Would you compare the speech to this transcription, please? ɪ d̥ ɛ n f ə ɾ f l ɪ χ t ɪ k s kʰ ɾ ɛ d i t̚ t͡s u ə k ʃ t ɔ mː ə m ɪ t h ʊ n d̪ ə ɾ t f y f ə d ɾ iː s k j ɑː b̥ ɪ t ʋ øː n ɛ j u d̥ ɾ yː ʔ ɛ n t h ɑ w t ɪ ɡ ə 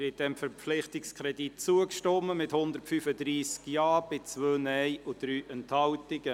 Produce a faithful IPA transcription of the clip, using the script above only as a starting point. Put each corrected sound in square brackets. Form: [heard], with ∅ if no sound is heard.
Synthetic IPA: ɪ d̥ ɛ [m] f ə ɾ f l ɪ χ t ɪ k s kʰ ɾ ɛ d i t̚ t͡s u ə k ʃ t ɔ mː ə m ɪ t h ʊ n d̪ ə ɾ t f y f ə d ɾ iː s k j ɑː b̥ ɪ [t͡s] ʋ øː n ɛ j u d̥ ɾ yː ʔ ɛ n t h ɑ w t ɪ ɡ ə